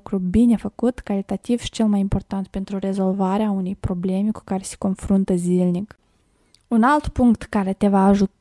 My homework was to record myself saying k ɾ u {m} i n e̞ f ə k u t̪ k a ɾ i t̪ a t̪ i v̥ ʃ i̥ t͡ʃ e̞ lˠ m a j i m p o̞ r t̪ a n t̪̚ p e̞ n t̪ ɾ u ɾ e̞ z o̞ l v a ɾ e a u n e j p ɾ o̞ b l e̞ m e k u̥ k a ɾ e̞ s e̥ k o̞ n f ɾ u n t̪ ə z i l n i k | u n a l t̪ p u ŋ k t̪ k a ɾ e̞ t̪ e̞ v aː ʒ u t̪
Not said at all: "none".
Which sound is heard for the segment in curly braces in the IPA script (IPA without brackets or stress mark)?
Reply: b